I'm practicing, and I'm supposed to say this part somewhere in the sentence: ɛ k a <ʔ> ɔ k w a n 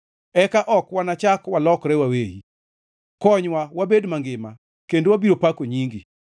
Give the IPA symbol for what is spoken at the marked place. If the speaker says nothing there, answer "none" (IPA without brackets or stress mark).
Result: ʔ